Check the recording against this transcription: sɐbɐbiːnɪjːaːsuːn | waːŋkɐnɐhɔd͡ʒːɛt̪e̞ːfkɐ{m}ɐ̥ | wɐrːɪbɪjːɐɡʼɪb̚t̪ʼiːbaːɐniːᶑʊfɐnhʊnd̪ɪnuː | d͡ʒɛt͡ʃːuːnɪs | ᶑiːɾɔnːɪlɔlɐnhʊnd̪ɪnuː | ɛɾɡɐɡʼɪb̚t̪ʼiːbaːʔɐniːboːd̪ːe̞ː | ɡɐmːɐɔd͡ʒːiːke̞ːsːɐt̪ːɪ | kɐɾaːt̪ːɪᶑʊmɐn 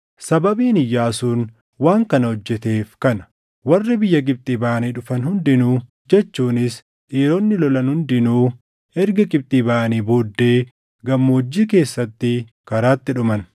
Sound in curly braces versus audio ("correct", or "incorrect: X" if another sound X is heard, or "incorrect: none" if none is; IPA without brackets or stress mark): incorrect: n